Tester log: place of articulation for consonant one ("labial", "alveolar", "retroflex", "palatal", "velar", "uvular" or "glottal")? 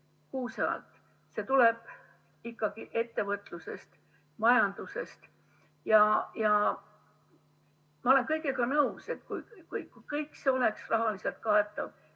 velar